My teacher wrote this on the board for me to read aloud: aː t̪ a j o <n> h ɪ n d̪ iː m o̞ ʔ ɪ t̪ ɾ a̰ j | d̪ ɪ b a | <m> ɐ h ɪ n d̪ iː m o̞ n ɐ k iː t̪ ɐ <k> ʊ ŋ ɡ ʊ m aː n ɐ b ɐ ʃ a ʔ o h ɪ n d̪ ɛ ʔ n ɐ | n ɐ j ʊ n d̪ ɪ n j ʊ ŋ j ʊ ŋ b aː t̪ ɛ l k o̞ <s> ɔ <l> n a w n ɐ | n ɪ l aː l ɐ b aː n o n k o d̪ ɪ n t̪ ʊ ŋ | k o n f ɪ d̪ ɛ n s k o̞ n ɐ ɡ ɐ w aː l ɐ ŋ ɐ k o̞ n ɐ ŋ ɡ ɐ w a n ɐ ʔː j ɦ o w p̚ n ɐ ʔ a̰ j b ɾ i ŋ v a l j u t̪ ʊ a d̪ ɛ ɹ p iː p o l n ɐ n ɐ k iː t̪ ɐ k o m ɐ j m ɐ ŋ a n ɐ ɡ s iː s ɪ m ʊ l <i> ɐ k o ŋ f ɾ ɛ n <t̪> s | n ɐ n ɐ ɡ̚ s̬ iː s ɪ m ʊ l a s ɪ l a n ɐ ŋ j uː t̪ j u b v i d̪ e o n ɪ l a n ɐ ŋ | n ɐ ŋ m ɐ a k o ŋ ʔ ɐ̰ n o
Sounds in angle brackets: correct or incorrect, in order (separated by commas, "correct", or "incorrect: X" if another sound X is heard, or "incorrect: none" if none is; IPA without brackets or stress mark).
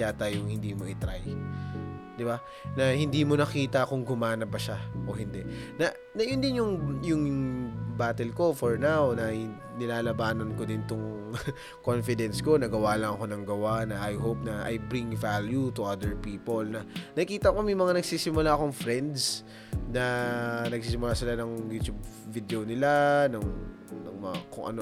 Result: incorrect: ŋ, incorrect: n, correct, incorrect: f, incorrect: ɹ, incorrect: a, incorrect: d̪